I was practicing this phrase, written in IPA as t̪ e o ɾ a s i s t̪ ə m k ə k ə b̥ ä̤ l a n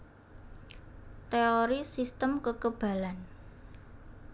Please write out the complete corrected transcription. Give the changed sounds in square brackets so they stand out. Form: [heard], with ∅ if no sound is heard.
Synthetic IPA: t̪ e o ɾ [i] s i s t̪ ə m k ə k ə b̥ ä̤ l a n